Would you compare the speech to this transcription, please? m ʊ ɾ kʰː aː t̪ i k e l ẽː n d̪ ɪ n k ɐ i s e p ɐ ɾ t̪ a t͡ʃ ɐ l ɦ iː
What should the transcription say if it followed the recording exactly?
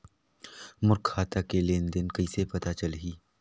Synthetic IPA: m ʊ ɾ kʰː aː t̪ a k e l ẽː n d̪ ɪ n k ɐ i s e p ɐ t̪ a t͡ʃ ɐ l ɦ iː